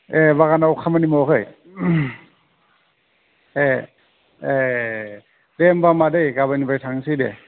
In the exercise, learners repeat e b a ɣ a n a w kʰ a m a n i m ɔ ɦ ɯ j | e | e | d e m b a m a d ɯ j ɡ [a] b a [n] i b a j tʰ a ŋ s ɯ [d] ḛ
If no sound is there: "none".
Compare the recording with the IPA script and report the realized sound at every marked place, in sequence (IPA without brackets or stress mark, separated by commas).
a, n, d